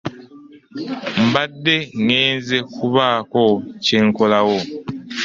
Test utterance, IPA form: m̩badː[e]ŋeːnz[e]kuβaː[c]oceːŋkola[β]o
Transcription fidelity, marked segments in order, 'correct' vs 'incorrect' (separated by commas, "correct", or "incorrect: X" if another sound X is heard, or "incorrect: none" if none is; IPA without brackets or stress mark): correct, correct, incorrect: k, incorrect: w